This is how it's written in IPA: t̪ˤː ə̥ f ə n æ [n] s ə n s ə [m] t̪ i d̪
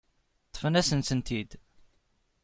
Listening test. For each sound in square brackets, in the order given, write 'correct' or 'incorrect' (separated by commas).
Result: incorrect, incorrect